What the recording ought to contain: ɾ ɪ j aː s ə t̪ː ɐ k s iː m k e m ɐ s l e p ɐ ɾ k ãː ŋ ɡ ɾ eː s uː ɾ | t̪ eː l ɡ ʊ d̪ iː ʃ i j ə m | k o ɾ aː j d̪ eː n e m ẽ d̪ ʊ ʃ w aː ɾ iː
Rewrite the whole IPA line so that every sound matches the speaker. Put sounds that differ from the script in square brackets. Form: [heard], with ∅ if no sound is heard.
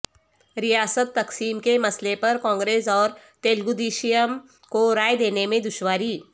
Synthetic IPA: ɾ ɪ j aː s ə t̪ː ɐ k s iː m k e m ɐ s l e p ɐ ɾ k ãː ŋ ɡ ɾ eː s [ɔː] ɾ | t̪ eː l ɡ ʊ d̪ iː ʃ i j ə m | k o ɾ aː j d̪ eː n e m ẽ d̪ ʊ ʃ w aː ɾ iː

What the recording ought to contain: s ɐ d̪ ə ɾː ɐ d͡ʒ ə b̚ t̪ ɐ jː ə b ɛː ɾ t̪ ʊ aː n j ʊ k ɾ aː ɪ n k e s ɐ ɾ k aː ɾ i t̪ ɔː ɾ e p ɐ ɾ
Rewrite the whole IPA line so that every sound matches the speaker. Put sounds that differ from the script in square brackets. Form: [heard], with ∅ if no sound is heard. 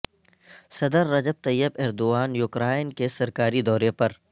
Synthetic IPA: s ɐ d̪ ə ɾː ɐ d͡ʒ ə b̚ t̪ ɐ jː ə b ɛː ɾ [d̪] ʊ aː n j ʊ k ɾ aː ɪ n k e s ɐ ɾ k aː ɾ i [d̪] ɔː ɾ e p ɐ ɾ

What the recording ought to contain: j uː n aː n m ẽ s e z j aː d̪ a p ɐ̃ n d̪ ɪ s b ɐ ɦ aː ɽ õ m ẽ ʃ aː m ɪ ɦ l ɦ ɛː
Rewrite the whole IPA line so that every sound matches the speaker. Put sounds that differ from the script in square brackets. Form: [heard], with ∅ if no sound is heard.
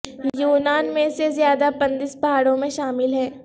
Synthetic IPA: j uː n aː n m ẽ s e z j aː d̪ a p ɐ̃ n d̪ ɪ s b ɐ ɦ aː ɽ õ m ẽ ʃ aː m ɪ [∅] l ɦ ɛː

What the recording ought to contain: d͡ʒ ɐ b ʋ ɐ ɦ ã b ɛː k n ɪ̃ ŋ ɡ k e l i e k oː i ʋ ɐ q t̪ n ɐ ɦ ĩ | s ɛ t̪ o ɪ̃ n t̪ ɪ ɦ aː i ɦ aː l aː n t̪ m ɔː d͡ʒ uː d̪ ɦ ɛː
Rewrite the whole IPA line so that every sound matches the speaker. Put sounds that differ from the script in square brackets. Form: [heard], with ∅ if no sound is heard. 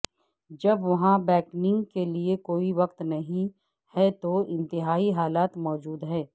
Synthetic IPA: d͡ʒ ɐ b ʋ ɐ ɦ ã b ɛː k n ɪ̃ ŋ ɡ k e l i e k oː i ʋ ɐ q t̪ n ɐ ɦ ĩ | [h] ɛ t̪ o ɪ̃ n t̪ ɪ ɦ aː i ɦ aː l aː [∅] t̪ m ɔː d͡ʒ uː d̪ ɦ ɛː

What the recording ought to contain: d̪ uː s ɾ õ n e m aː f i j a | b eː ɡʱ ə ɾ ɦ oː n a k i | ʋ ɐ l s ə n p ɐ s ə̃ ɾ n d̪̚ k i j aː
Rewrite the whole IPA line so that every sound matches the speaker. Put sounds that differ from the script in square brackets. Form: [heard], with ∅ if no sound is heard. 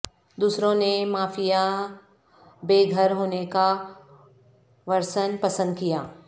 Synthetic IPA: d̪ uː s ɾ õ n e m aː f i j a | b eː ɡʱ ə ɾ ɦ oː n [e] k [a] | ʋ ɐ [ɾ] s ə n p ɐ s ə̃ [∅] n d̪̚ k i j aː

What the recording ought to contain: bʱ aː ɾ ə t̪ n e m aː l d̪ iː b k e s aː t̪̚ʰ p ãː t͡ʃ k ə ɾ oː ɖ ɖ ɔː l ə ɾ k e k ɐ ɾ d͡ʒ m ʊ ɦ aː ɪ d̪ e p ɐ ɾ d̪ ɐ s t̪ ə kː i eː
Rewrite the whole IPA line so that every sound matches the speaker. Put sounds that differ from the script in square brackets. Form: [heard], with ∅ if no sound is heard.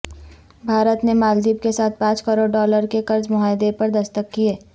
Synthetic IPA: bʱ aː ɾ ə t̪ n e m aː l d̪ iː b k e s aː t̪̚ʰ p ãː t͡ʃ k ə ɾ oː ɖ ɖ ɔː l ə ɾ k e k ɐ ɾ d͡ʒ m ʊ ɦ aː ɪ d̪ e p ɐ ɾ d̪ ɐ s t̪ ə kː i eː

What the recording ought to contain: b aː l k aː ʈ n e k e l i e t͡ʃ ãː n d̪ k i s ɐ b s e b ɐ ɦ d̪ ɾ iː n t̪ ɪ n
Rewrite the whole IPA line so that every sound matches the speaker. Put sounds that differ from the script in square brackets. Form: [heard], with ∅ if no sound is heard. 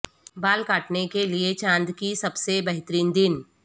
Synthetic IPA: b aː l k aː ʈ n e k e l i e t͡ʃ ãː n d̪ k i s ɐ b s e b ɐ ɦ [t̪] ɾ iː n [d̪] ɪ n

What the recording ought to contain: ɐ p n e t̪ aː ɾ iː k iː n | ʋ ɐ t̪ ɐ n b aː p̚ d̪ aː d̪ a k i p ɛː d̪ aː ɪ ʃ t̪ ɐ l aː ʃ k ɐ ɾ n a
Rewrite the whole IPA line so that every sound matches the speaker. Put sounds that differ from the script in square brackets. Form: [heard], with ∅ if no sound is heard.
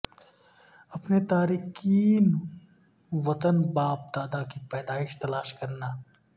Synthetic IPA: ɐ p n e t̪ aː ɾ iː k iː n | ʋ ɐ t̪ [ə] n b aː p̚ d̪ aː d̪ a k i p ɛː d̪ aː ɪ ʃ t̪ ɐ l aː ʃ k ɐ ɾ n a

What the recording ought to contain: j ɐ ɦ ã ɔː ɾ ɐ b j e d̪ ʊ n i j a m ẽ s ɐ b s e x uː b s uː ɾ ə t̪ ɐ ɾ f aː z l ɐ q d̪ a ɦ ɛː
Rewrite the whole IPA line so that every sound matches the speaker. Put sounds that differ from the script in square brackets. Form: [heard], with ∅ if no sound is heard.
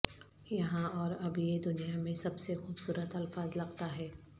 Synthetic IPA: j ɐ ɦ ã ɔː ɾ ɐ b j e d̪ ʊ n i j a m ẽ s ɐ b s e x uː b s uː ɾ ə t̪ ɐ [l] f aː z l ɐ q [t̪] a ɦ ɛː

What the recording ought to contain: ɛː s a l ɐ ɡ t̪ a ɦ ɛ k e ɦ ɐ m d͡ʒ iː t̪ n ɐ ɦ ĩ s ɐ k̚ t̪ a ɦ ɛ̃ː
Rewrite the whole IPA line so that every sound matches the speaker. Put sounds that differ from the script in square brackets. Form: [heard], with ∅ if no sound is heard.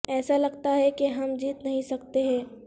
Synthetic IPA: ɛː s a l ɐ ɡ t̪ a ɦ ɛ k e ɦ ɐ m d͡ʒ iː t̪ n ɐ ɦ ĩ s ɐ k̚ t̪ [e] ɦ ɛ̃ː

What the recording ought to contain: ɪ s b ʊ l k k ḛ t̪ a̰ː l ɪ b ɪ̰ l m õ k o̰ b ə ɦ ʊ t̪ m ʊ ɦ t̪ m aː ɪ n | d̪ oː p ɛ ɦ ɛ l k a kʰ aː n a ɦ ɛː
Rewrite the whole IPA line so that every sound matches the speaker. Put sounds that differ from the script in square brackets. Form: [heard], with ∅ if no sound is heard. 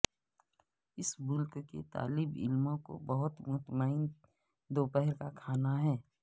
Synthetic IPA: ɪ s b ʊ l k k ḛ t̪ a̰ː l ɪ b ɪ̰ l m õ k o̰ b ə ɦ ʊ t̪ m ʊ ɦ t̪ m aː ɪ n | d̪ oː p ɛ ɦ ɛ [ɾ] k a kʰ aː n a ɦ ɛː

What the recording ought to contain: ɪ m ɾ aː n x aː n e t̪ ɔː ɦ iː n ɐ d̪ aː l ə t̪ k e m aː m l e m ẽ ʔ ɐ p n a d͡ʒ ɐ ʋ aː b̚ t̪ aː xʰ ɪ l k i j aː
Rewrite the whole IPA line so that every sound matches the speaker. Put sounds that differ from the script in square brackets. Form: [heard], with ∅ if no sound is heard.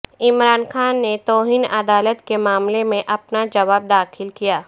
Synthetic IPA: ɪ m ɾ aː n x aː [nː] e t̪ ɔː ɦ iː n ɐ d̪ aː l ə t̪ k e m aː m l e m ẽ ʔ ɐ p n a d͡ʒ ɐ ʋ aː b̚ [d̪] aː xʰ ɪ l k i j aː

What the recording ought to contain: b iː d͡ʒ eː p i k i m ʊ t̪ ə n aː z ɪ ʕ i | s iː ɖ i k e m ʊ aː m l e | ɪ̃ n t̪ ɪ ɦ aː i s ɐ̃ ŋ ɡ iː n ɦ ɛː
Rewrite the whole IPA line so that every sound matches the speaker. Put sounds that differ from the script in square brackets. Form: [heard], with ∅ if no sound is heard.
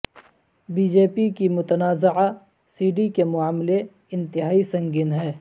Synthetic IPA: b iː d͡ʒ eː p i k i m ʊ t̪ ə n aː z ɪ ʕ [a] | s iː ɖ i k e m ʊ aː m l e | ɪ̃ n t̪ ɪ ɦ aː i s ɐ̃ ŋ ɡ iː n ɦ ɛː

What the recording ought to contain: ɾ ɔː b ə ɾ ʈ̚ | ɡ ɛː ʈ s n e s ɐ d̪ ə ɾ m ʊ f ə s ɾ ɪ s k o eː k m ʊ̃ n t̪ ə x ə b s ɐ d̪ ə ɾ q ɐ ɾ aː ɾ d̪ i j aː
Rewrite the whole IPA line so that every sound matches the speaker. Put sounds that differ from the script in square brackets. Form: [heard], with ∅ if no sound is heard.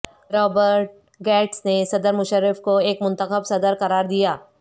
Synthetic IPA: ɾ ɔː b ə ɾ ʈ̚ | ɡ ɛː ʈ s n e s ɐ d̪ ə ɾ m ʊ [ʃ] ə [∅] ɾ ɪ [f] k o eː k m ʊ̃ n t̪ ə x ə b s ɐ d̪ ə ɾ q ɐ ɾ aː ɾ d̪ i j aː

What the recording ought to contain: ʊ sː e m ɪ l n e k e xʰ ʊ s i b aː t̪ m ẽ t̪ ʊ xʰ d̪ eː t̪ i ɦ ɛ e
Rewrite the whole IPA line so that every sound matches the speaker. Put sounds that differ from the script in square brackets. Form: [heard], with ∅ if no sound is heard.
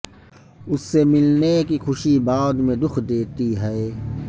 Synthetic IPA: ʊ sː e m ɪ l n e k [i] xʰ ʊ [ʃ] i b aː [d̪] m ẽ [d̪] ʊ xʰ d̪ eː t̪ i ɦ ɛ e

